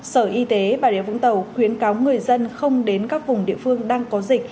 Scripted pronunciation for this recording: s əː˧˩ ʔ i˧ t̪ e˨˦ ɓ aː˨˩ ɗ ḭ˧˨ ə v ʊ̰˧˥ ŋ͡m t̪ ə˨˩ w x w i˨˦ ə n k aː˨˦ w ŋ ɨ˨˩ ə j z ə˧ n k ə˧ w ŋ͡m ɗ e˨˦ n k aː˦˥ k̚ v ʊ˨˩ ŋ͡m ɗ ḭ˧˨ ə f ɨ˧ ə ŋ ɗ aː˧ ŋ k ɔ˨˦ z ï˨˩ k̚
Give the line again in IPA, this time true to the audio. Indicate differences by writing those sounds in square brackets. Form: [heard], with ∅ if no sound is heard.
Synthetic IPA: s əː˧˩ ʔ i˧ t̪ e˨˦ ɓ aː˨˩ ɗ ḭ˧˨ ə v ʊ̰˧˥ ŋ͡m t̪ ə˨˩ w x w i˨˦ ə n k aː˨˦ w ŋ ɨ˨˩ ə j z ə˧ n [x] ə˧ w ŋ͡m ɗ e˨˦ n k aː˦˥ k̚ v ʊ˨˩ ŋ͡m ɗ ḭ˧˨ ə f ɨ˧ ə ŋ ɗ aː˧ ŋ k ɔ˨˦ z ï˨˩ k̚